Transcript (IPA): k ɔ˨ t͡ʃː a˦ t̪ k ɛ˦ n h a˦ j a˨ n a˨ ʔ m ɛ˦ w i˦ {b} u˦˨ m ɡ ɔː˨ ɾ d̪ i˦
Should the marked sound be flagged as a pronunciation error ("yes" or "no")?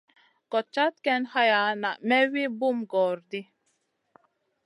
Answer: no